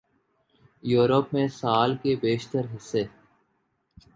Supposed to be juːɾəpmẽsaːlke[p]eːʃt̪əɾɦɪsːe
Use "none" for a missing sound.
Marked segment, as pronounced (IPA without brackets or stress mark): b